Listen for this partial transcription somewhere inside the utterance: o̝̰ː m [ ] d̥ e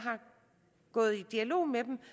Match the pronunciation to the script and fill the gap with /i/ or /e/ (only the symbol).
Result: e